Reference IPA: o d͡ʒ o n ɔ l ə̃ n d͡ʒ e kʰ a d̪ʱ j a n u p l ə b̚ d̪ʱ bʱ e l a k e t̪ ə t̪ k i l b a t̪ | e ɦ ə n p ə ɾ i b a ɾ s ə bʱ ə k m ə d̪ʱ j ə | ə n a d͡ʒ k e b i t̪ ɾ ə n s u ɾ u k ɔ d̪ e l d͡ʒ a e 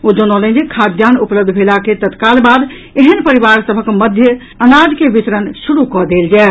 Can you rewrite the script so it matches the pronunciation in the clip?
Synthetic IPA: o d͡ʒ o n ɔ l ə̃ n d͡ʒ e kʰ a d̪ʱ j a n u p l ə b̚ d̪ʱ bʱ e l a k e t̪ ə t̪ k a l b a d̪ | e ɦ ə n p ə ɾ i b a ɾ s ə bʱ ə k m ə d̪ʱ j ə | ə n a d͡ʒ k e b i t̪ ɾ ə n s u ɾ u k ɔ d̪ e l d͡ʒ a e